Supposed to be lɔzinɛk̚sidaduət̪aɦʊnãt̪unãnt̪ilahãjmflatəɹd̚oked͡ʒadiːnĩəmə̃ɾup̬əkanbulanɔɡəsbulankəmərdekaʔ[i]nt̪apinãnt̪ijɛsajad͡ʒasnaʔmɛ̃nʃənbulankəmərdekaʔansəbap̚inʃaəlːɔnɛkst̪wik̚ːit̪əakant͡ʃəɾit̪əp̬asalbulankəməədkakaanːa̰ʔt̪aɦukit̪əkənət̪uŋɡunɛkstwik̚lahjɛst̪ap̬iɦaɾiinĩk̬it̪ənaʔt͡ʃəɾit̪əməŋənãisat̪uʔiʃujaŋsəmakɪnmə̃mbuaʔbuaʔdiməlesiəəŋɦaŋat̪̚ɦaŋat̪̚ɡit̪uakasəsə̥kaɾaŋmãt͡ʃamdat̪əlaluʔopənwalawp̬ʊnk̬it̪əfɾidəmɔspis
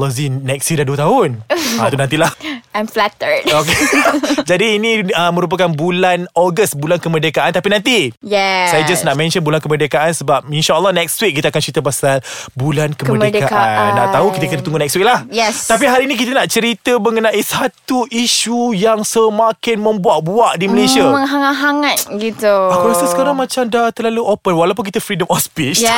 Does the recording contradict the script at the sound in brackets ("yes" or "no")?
yes